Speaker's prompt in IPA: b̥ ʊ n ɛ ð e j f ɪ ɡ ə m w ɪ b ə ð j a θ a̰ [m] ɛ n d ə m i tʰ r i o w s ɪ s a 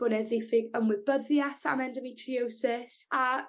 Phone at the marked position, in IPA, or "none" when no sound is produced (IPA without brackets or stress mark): m